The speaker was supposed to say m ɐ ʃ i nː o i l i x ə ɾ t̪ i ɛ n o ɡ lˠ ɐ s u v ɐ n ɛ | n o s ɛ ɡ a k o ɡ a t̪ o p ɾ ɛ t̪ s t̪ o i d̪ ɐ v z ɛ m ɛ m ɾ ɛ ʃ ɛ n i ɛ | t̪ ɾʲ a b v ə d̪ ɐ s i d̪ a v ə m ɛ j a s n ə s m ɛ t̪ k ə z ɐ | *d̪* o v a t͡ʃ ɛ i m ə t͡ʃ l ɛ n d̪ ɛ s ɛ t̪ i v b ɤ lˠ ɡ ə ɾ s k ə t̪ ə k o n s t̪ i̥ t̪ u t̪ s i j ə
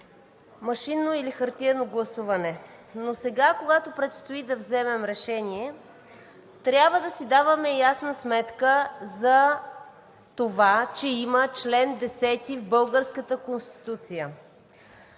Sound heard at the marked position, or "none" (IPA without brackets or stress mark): t̪